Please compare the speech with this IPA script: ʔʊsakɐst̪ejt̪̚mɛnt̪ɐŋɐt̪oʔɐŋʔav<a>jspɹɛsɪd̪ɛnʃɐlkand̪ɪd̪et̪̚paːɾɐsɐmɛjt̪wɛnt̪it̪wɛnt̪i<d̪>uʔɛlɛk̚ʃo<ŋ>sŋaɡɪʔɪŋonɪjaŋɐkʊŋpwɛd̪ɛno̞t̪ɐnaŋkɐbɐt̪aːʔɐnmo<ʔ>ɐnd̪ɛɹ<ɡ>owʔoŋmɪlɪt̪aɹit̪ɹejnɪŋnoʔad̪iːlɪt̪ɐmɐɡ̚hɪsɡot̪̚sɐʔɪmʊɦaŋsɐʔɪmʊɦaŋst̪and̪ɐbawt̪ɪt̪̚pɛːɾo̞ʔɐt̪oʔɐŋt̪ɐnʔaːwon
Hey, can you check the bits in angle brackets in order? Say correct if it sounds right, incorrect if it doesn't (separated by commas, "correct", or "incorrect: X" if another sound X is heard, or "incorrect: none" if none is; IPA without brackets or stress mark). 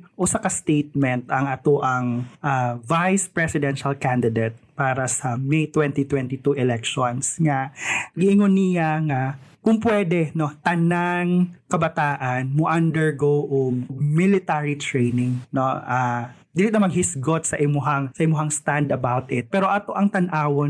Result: correct, incorrect: t̪, incorrect: n, correct, correct